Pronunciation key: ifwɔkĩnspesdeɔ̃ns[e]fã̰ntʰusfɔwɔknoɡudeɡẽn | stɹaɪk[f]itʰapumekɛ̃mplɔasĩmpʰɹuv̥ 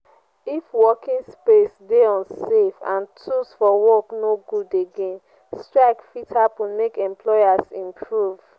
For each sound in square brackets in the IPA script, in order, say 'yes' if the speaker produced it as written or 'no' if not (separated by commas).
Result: yes, yes